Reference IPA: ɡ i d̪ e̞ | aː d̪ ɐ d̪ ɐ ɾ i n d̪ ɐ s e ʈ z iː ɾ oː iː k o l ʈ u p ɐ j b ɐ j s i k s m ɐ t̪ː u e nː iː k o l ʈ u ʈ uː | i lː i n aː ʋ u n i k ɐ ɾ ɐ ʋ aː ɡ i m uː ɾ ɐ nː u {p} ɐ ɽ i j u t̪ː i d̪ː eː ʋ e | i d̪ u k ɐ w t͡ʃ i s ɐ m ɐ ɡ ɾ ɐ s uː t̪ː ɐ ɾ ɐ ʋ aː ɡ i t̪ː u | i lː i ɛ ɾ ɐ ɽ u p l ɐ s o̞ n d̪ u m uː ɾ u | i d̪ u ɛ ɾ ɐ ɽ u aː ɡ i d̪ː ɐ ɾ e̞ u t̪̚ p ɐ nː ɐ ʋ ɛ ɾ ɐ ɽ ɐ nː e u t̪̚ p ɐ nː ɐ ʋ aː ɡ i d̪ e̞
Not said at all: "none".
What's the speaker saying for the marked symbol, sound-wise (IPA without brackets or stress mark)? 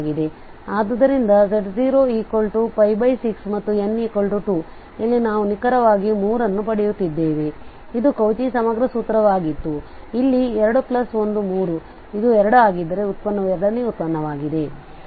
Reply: p